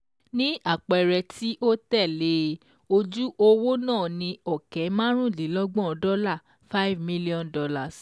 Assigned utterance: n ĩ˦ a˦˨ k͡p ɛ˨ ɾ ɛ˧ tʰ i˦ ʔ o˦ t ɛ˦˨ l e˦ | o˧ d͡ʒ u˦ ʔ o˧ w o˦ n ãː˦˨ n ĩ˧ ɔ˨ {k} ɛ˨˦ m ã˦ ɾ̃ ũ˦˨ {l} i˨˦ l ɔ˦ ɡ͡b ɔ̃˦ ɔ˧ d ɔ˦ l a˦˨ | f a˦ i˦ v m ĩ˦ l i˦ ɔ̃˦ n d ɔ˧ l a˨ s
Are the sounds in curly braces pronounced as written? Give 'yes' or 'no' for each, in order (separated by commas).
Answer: yes, yes